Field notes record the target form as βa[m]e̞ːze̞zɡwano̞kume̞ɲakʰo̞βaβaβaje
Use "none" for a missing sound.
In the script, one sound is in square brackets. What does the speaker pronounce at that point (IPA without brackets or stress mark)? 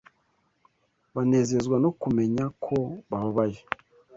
n